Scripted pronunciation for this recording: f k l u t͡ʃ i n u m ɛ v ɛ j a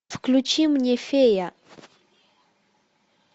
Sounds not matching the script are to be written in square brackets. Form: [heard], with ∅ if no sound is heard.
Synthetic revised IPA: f k l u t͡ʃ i [m] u [ɲ] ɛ [f] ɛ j a